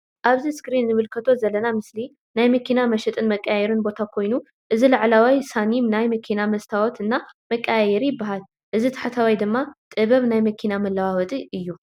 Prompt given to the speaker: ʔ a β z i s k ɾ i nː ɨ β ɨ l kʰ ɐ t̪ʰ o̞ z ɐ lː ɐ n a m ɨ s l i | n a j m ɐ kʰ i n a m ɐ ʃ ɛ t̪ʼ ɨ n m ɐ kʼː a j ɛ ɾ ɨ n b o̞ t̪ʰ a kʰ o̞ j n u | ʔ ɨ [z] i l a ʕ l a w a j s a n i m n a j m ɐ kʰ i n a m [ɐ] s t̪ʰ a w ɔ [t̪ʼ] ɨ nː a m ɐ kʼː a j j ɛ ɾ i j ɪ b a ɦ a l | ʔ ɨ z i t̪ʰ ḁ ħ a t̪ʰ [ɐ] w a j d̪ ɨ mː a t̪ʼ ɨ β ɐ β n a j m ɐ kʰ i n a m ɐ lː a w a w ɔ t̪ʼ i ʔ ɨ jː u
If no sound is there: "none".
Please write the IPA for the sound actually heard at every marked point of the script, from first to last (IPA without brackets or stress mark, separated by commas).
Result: z, ɐ, t̪, a